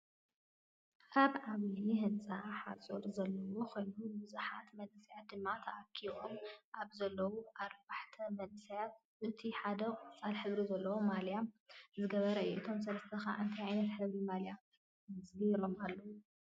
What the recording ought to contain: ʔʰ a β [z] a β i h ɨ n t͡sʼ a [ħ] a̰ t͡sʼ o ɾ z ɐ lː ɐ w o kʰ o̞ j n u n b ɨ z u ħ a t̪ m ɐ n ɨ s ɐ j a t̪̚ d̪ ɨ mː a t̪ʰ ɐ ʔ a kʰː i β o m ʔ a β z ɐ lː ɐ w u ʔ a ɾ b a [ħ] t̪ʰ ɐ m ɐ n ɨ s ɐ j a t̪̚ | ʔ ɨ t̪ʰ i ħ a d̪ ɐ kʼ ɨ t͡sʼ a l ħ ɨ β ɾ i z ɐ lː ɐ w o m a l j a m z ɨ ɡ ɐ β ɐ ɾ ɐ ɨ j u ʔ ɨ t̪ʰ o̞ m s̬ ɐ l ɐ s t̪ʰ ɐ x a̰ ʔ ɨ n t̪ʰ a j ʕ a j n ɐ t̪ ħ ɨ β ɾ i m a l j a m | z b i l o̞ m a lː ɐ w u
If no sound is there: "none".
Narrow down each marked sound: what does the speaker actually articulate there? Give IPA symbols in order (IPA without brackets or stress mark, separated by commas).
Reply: ʕ, ħ, ħ